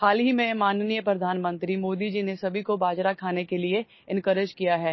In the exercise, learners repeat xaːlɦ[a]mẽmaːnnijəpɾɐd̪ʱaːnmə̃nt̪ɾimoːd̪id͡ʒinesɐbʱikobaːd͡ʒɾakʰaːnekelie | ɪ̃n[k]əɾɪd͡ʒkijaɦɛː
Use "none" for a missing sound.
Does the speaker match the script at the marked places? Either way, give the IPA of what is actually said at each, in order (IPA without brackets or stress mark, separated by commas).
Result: i, k